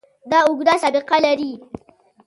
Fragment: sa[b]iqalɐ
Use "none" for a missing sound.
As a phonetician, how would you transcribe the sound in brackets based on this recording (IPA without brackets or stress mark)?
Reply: b